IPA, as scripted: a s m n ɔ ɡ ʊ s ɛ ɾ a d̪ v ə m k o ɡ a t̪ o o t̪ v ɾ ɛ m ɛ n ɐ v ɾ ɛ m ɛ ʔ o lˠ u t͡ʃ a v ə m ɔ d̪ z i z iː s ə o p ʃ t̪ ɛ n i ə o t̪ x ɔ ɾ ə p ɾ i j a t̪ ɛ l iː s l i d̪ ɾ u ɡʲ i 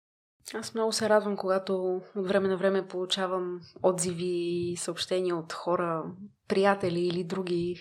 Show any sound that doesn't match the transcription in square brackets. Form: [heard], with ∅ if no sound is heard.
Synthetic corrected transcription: a s m n ɔ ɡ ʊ s ɛ ɾ a d̪ v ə m k o ɡ a t̪ o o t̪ v ɾ ɛ m ɛ n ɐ v ɾ ɛ m ɛ [p] o lˠ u t͡ʃ a v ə m ɔ d̪ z i [v] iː s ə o p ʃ t̪ ɛ n i ə o t̪ x ɔ ɾ ə p ɾ i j a t̪ ɛ l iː [∅] l i d̪ ɾ u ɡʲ i